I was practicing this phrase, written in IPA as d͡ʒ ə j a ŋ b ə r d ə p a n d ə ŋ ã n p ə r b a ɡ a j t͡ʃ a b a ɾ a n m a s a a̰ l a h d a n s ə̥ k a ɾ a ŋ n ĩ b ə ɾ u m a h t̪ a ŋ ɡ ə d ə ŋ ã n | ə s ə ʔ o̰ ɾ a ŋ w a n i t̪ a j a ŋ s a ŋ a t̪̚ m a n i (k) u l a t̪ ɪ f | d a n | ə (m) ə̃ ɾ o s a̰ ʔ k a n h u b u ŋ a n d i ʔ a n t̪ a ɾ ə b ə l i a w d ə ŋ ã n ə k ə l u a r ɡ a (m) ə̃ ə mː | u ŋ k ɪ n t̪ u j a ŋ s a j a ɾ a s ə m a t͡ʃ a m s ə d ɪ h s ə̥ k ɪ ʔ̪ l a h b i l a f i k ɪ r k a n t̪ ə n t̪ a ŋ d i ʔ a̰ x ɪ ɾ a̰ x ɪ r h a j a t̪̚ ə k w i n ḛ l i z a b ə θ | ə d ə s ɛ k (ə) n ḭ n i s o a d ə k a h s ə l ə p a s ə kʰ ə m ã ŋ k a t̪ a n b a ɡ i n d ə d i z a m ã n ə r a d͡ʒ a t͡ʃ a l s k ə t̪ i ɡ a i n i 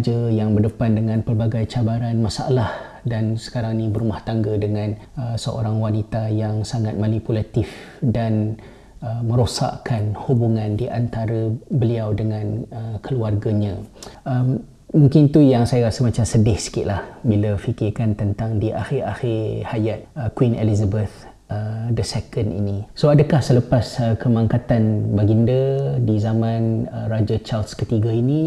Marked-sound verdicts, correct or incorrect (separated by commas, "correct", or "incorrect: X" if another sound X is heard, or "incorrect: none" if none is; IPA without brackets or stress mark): incorrect: p, correct, incorrect: ɲ, correct